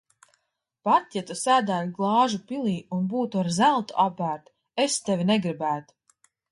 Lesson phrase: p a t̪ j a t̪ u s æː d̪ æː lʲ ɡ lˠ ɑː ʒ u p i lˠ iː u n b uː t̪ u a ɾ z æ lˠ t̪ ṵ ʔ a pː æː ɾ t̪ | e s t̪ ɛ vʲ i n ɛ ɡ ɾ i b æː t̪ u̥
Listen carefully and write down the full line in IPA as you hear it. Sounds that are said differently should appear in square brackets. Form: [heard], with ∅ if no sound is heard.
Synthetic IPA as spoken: p a t̪ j a t̪ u s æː d̪ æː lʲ ɡ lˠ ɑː ʒ u p i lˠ iː u n b uː t̪ u a ɾ z æ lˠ t̪ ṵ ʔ a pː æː ɾ t̪ | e s t̪ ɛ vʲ i n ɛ ɡ ɾ i b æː t̪ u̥